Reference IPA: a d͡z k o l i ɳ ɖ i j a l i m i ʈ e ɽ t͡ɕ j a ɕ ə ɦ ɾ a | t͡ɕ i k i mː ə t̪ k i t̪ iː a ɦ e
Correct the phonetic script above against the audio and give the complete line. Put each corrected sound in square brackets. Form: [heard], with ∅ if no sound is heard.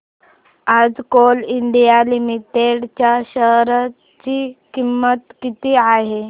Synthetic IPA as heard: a d͡z k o l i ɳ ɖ i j a l i m i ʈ e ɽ t͡ɕ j a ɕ ə ɦ ɾ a | t͡ɕ i k i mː ə t̪ k i t̪ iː a ɦ e